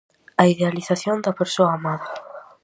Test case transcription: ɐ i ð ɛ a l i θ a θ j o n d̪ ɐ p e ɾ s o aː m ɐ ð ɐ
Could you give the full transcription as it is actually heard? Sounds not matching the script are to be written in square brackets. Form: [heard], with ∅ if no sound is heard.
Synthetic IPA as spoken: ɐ i ð [e] a l i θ a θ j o n d̪ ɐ p e ɾ s o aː m [a] ð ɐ